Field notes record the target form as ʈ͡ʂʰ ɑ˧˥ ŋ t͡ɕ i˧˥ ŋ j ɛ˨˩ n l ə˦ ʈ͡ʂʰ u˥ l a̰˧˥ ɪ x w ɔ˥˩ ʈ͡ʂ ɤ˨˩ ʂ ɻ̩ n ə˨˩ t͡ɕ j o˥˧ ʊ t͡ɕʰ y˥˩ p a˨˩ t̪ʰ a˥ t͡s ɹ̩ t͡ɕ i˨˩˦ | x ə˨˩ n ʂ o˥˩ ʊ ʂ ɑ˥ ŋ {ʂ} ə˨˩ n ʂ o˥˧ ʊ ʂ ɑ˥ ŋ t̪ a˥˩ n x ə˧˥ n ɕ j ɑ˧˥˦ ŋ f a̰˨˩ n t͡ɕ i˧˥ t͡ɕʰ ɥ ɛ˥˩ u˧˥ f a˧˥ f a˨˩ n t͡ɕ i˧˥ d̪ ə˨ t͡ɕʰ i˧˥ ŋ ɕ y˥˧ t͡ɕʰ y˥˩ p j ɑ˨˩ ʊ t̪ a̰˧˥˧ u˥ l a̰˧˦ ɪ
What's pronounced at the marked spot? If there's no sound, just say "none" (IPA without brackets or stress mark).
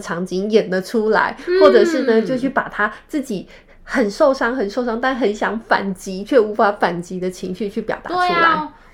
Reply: x